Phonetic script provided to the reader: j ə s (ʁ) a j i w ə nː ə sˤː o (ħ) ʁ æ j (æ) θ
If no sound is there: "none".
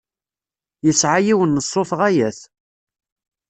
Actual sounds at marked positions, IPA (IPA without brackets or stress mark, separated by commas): ʕ, θ, æ